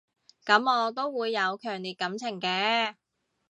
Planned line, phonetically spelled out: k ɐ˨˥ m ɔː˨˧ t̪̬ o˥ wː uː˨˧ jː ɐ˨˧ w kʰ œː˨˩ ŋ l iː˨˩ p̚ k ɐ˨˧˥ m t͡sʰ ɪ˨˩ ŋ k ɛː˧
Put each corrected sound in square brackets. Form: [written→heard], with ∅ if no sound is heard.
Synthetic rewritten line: k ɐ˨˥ m ɔː˨˧ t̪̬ o˥ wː uː˨˧ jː ɐ˨˧ w kʰ œː˨˩ ŋ l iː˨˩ [p̚→t̚] k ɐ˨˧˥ m t͡sʰ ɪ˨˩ ŋ k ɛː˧